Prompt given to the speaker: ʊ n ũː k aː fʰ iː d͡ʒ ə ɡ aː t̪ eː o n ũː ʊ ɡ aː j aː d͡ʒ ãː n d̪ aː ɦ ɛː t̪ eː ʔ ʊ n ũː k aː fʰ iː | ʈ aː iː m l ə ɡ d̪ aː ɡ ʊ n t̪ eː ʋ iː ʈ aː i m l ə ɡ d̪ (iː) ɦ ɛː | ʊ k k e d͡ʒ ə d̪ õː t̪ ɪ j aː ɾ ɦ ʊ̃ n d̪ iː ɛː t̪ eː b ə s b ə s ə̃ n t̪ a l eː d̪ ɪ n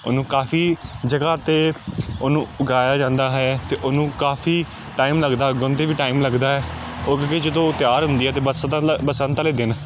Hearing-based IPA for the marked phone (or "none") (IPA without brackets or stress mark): aː